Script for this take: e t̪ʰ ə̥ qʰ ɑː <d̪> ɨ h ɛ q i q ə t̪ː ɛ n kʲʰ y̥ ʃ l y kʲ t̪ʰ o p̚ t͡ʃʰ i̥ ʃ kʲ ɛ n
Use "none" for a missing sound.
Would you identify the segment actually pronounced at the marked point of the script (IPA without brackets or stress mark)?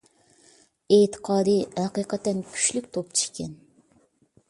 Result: d̪